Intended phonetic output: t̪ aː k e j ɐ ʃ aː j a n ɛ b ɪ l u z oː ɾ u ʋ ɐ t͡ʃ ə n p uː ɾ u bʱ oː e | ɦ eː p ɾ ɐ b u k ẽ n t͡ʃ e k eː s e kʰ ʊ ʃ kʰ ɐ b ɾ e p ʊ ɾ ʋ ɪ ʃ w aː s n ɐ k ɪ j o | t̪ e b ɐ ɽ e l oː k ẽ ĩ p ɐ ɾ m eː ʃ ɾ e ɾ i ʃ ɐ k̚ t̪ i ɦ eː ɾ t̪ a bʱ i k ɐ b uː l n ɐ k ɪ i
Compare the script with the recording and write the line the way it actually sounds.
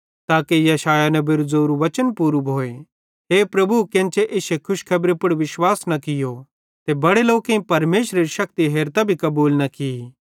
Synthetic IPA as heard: t̪ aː k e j ɐ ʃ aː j a n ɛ b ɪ ɾ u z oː ɾ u ʋ ɐ t͡ʃ ə n p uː ɾ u bʱ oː e | ɦ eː p ɾ ɐ b u k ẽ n t͡ʃ e ʔ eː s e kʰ ʊ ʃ kʰ ɐ b ɾ e p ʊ ɽ ʋ ɪ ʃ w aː s n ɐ k ɪ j o | t̪ e b ɐ ɽ e l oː k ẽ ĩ p ɐ ɾ m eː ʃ ɾ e ɾ i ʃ ɐ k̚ t̪ i ɦ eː ɾ t̪ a bʱ i k ɐ b uː l n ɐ k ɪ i